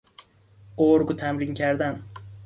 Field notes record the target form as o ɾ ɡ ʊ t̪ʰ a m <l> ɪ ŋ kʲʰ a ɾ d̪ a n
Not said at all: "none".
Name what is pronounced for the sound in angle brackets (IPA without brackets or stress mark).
ɾ